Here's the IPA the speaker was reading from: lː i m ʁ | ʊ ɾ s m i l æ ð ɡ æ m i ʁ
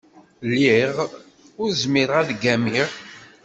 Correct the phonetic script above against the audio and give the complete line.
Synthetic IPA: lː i ʁ | ʊ ɾ z m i ɾ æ ð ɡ æ m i ʁ